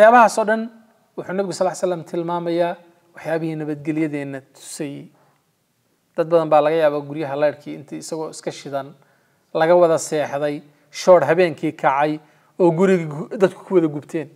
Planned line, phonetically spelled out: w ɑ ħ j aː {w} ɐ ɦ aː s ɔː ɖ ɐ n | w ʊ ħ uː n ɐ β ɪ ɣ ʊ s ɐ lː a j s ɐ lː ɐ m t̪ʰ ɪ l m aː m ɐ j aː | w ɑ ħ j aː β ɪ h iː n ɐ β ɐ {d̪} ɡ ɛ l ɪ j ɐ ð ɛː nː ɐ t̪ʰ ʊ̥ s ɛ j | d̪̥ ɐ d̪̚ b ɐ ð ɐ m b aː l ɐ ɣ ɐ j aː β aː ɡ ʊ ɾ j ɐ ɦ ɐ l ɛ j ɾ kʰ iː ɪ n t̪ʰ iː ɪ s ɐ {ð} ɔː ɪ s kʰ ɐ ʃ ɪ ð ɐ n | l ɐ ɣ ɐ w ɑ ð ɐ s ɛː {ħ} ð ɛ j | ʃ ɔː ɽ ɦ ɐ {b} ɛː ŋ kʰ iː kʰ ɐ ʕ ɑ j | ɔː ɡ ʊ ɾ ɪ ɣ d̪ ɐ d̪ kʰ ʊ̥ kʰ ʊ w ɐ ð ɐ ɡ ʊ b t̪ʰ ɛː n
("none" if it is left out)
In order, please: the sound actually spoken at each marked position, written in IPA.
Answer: β, d̪, ɣ, ħ, β

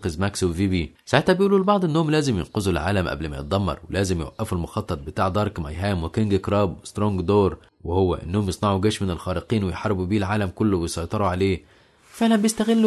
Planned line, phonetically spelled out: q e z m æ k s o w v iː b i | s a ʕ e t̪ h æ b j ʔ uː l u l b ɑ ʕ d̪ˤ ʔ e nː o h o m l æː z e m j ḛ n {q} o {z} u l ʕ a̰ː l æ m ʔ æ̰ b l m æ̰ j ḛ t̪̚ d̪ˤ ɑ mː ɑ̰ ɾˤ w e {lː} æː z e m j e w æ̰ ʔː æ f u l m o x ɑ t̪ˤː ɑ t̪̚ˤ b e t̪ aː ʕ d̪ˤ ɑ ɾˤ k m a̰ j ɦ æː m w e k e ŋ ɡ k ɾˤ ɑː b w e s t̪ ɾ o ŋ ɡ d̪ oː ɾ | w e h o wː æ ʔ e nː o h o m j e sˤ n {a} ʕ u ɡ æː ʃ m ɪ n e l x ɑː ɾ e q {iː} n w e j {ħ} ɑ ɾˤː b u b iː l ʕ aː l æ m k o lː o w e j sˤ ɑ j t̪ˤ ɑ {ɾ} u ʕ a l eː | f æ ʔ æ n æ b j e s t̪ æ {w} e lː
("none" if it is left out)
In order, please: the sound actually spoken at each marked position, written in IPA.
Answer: q, z, l, ɑ, iː, ħ, ɾ, ɣ

